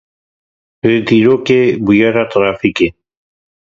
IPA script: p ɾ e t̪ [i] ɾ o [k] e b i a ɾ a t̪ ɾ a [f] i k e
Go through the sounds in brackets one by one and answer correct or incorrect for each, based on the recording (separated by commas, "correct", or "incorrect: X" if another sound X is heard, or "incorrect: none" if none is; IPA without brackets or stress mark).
correct, correct, correct